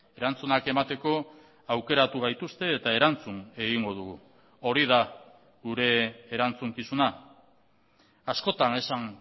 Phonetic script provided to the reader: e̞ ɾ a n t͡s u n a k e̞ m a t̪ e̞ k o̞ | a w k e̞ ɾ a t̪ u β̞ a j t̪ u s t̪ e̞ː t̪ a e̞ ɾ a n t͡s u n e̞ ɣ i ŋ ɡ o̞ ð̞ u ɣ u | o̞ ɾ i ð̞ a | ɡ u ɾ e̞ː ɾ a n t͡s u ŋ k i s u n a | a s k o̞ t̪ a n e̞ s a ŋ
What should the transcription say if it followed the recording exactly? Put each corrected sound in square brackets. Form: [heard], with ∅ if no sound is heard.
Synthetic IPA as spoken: e̞ ɾ a n t͡s u n a k e̞ m a t̪ e̞ k o̞ | a w k e̞ ɾ a t̪ u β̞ a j t̪ u s t̪ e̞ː t̪ a e̞ ɾ a n t͡s u n e̞ ɣ i ŋ ɡ o̞ ð̞ u ɣ u | o̞ ɾ i ð̞ a | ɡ u ɾ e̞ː ɾ a n t͡s u ŋ k i s u n a | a s k o̞ t̪ a n e̞ s a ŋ